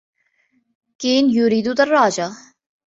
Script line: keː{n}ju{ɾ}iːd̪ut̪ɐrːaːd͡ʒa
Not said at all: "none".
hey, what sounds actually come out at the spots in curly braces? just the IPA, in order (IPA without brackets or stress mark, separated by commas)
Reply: n, ɾ